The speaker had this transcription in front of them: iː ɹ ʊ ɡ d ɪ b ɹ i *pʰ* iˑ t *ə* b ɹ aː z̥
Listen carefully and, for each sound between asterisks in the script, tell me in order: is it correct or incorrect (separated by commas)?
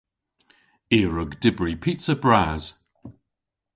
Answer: correct, correct